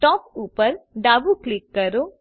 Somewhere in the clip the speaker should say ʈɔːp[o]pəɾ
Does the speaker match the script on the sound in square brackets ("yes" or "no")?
no